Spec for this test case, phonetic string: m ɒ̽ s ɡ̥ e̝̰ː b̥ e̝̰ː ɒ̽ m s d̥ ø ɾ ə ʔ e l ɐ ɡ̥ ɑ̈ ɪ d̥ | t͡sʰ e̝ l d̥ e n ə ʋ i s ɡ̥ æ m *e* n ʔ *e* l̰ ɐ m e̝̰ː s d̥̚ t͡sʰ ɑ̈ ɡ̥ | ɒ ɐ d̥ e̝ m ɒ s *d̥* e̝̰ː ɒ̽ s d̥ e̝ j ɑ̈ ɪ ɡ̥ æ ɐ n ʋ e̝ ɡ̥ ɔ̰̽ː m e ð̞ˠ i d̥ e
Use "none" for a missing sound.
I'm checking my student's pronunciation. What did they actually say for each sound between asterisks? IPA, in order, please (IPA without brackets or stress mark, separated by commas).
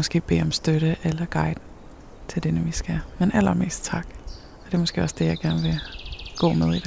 e, æ, ɡ̥